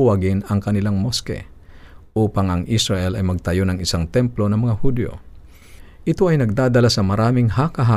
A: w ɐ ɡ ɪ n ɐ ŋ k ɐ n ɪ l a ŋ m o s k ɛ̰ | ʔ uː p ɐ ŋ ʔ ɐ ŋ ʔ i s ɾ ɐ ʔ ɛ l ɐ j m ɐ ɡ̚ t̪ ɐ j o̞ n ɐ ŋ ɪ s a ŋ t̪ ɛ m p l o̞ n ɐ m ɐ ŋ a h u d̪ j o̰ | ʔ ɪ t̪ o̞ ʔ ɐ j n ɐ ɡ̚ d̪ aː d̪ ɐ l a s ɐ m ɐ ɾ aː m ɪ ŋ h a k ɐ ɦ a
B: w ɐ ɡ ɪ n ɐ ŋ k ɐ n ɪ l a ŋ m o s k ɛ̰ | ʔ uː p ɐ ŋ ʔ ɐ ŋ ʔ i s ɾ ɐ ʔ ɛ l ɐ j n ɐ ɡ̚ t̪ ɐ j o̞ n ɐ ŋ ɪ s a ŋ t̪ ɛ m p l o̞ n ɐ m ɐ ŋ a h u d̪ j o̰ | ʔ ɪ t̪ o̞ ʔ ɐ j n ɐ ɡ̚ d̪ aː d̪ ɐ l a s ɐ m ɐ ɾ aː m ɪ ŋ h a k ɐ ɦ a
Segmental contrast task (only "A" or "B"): A